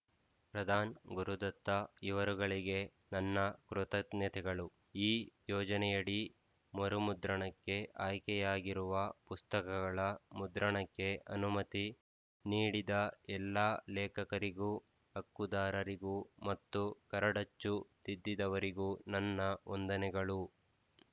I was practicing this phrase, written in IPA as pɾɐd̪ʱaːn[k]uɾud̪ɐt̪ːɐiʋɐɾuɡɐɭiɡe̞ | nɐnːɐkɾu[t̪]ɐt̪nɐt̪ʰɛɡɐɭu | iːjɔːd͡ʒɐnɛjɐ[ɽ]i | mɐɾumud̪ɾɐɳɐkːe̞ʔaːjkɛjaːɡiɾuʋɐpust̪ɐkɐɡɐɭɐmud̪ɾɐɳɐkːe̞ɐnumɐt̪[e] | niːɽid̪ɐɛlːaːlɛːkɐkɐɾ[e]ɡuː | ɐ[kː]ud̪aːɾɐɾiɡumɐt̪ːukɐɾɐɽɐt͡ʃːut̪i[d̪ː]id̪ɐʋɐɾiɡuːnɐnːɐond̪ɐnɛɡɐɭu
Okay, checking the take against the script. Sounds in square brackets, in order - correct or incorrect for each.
incorrect: ɡ, correct, correct, incorrect: i, incorrect: i, correct, correct

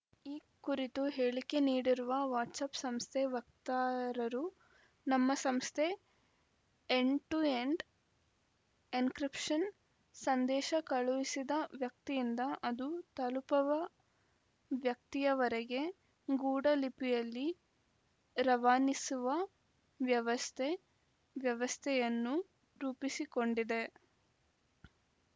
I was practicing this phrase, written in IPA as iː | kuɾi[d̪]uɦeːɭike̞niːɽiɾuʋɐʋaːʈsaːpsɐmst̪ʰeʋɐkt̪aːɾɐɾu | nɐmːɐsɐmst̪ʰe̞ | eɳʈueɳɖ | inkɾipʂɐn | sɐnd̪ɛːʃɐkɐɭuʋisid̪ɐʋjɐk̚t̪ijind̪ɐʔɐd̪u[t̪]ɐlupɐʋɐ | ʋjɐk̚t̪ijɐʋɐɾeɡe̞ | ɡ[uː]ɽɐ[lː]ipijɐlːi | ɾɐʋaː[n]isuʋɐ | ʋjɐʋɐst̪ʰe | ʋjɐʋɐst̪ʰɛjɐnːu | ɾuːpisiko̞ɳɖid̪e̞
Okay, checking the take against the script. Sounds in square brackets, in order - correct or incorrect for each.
incorrect: t̪, correct, correct, incorrect: l, correct

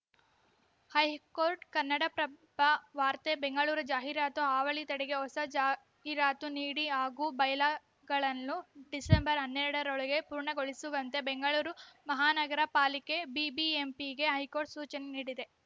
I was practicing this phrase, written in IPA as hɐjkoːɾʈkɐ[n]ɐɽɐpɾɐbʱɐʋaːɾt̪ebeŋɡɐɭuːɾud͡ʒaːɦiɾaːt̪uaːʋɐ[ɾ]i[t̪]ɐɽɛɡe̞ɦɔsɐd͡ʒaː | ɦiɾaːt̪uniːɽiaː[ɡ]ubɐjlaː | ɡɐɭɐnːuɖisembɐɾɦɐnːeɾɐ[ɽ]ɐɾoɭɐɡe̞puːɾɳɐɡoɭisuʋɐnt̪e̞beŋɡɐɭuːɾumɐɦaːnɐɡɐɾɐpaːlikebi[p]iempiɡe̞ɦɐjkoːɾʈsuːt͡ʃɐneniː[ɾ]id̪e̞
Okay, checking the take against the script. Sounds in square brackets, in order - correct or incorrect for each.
incorrect: nː, incorrect: ɭ, correct, correct, correct, incorrect: b, incorrect: ɽ

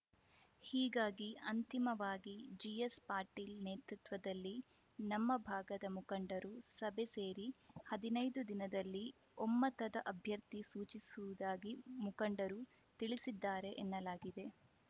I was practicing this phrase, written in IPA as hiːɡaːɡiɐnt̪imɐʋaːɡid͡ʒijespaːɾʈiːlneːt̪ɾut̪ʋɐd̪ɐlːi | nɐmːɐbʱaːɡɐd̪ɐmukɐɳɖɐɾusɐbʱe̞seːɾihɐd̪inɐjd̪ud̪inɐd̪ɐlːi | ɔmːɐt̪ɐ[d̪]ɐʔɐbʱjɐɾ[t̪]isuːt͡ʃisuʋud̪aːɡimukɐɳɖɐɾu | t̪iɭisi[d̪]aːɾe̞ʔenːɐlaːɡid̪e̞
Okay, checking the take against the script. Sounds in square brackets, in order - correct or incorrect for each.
correct, correct, incorrect: d̪ː

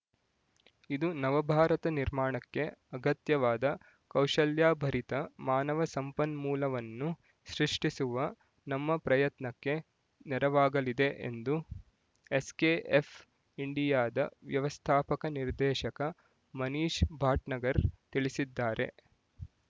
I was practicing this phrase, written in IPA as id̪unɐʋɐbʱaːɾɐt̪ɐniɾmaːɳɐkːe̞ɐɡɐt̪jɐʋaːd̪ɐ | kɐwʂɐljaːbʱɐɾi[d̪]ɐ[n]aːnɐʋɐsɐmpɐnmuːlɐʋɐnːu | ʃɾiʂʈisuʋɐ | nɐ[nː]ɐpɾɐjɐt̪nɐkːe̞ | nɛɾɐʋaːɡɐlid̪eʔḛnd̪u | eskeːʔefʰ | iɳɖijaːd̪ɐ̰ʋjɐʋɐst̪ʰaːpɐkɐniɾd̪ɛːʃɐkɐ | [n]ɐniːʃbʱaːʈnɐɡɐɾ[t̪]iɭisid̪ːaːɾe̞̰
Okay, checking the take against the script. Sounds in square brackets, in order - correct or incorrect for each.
incorrect: t̪, incorrect: m, incorrect: mː, incorrect: m, correct

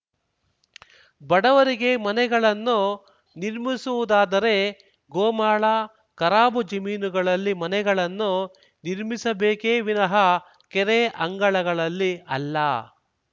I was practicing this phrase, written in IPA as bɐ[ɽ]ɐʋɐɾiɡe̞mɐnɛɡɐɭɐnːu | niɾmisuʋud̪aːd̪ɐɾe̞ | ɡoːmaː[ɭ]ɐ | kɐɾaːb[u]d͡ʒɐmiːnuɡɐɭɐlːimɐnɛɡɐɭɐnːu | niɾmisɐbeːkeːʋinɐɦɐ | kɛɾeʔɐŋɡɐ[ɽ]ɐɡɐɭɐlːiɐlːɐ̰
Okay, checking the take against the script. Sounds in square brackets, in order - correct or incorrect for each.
correct, correct, correct, incorrect: ɭ

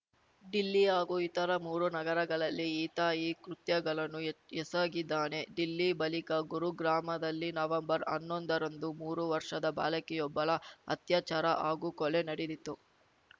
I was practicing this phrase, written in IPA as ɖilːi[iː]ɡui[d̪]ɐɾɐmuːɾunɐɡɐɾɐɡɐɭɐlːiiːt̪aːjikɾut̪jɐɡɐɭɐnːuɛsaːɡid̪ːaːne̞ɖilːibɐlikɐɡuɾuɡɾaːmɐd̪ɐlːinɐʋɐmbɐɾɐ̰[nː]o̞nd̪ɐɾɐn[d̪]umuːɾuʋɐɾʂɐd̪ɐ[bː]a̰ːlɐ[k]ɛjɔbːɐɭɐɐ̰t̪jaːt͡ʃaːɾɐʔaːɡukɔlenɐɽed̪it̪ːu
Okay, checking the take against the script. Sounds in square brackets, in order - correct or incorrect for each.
incorrect: aː, incorrect: t̪, correct, correct, incorrect: b, correct

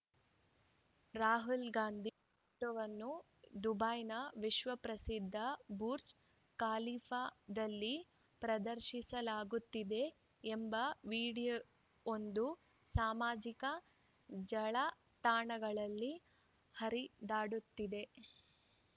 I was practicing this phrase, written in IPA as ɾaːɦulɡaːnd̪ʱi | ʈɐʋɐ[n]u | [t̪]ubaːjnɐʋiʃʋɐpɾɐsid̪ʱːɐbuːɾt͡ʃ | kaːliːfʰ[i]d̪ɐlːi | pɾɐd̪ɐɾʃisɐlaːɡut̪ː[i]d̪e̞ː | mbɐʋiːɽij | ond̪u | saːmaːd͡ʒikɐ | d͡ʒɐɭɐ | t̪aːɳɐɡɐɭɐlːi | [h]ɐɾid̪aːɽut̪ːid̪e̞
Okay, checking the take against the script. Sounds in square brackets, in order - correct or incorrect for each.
incorrect: nː, incorrect: d̪, incorrect: a, correct, correct

